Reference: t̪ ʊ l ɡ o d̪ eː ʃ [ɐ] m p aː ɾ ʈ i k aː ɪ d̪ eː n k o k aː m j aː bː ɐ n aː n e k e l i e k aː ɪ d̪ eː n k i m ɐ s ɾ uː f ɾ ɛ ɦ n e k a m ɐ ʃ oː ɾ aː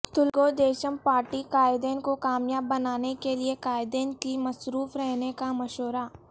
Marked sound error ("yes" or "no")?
yes